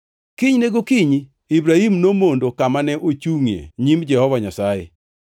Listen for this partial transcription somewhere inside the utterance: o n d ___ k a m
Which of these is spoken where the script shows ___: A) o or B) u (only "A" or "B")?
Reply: A